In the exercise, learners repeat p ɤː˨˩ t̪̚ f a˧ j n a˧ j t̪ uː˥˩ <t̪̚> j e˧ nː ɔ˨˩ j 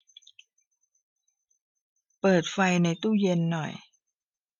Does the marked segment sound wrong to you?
yes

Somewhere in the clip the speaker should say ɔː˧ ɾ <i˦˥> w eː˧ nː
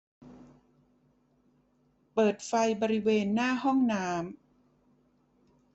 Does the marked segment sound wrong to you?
no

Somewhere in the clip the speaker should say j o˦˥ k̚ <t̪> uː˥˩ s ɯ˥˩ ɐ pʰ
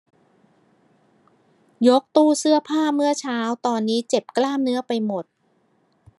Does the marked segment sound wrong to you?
no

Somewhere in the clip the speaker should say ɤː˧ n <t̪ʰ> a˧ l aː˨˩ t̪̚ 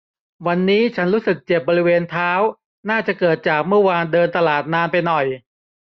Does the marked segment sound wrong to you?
yes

